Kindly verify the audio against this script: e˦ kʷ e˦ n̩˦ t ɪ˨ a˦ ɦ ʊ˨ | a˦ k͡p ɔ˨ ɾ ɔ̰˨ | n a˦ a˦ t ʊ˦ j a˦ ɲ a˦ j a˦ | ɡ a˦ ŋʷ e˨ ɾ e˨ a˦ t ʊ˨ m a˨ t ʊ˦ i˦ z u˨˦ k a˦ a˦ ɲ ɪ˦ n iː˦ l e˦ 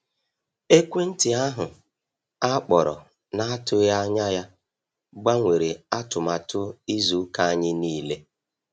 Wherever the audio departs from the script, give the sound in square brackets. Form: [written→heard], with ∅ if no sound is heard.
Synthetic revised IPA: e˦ kʷ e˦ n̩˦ t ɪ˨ a˦ ɦ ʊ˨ | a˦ k͡p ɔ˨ ɾ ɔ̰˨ | n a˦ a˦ t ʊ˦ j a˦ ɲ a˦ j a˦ | [ɡ→ɡ͡b] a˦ ŋʷ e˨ ɾ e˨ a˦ t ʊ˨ m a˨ t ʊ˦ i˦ z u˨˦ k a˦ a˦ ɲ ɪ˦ n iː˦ l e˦